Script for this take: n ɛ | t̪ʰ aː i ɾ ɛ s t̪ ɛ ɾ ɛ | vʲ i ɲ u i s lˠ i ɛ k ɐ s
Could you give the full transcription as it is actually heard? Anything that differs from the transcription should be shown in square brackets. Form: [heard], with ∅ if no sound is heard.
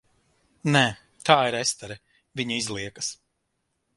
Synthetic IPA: n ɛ | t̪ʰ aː i ɾ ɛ s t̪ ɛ ɾ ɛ | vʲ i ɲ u i [z] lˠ i ɛ k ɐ s